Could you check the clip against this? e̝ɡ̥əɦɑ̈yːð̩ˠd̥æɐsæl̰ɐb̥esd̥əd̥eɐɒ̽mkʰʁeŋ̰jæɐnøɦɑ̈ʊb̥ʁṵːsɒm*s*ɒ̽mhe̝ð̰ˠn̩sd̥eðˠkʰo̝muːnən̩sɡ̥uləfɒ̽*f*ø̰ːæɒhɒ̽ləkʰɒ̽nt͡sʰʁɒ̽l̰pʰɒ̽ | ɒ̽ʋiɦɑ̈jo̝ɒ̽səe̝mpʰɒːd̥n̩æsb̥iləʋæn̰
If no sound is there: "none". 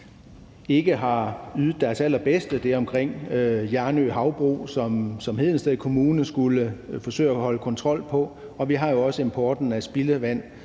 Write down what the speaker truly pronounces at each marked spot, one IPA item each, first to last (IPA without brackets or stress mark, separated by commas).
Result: s, s